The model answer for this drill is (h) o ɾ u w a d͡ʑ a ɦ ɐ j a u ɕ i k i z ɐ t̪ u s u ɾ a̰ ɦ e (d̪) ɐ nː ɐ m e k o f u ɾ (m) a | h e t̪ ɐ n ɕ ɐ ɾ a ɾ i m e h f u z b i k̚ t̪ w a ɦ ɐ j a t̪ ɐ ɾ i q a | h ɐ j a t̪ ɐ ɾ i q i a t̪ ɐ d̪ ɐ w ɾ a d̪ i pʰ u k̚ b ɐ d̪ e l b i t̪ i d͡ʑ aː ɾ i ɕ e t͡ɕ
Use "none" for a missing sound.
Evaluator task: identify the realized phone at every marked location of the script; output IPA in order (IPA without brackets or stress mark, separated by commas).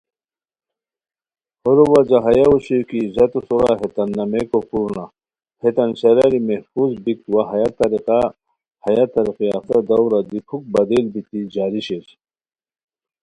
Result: h, t̪, n